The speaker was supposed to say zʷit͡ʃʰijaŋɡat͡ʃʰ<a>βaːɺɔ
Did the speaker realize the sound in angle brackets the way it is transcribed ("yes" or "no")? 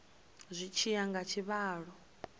no